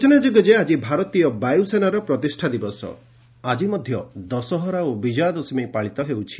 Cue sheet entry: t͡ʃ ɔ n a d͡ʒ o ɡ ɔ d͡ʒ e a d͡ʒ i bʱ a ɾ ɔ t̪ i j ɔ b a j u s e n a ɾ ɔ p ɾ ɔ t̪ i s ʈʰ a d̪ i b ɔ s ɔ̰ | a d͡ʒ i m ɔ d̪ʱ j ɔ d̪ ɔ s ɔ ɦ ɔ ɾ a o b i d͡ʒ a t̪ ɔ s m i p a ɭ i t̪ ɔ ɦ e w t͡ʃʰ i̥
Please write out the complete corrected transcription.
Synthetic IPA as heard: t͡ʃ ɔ n a d͡ʒ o ɡ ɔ d͡ʒ e a d͡ʒ i bʱ a ɾ ɔ t̪ i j ɔ b a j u s e n a ɾ ɔ p ɾ ɔ t̪ i s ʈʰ a d̪ i b ɔ s ɔ̰ | a d͡ʒ i m ɔ d̪ʱ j ɔ d̪ ɔ s ɔ ɦ ɔ ɾ a o b i d͡ʒ a d̪ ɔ s m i p a ɭ i t̪ ɔ ɦ e w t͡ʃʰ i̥